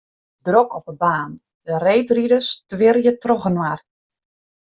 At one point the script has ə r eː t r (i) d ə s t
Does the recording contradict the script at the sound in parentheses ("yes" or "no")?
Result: no